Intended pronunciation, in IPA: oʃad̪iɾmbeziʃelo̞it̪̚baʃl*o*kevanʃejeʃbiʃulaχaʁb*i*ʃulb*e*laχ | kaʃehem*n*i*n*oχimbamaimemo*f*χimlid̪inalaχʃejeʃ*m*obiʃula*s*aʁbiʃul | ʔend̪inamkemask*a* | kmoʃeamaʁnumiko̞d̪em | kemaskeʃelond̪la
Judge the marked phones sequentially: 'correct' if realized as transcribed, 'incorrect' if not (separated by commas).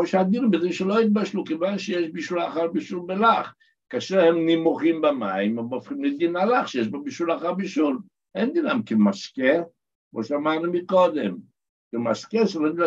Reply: incorrect, correct, correct, correct, incorrect, correct, incorrect, incorrect, incorrect